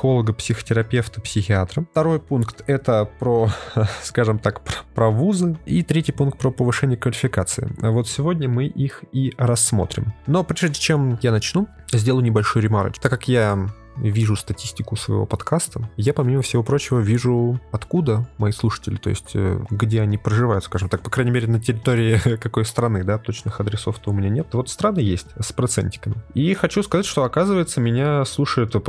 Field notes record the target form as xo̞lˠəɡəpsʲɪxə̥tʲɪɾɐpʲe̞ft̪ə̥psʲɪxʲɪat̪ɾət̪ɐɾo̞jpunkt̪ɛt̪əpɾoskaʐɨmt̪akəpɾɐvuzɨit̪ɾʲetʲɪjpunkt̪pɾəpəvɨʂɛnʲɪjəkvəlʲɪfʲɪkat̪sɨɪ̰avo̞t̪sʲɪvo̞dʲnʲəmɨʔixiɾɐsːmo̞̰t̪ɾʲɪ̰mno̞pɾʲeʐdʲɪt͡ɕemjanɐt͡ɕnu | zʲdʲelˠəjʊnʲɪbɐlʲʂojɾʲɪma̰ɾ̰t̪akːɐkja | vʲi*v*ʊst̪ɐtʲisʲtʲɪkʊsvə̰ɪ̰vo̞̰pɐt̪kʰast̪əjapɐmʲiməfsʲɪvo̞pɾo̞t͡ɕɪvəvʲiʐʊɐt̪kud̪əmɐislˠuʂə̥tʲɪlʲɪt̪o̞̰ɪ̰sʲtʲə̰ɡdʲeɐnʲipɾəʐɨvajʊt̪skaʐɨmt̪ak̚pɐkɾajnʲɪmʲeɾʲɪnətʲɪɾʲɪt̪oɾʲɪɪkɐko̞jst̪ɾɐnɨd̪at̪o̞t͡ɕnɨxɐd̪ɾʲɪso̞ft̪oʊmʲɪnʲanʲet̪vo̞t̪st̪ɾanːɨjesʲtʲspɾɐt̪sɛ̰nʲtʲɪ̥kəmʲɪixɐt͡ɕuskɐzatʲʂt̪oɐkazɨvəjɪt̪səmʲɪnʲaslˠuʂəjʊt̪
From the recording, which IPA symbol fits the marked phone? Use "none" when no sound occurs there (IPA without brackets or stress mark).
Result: ʐ